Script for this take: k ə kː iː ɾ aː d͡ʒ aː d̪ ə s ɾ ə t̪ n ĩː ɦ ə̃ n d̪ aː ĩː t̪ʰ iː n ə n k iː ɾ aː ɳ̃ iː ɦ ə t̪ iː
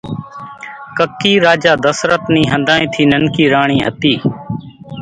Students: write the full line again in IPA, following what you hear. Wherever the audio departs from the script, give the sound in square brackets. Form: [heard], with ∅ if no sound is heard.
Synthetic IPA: k ə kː iː ɾ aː d͡ʒ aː d̪ ə s ɾ ə t̪ n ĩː ɦ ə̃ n d̪ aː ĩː t̪ʰ iː n ə n k iː ɾ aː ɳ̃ iː ɦ ə t̪ iː